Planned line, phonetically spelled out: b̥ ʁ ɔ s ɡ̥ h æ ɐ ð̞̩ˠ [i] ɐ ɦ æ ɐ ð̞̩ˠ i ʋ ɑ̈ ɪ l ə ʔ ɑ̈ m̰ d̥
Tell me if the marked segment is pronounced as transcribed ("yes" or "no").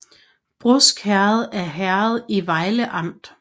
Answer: no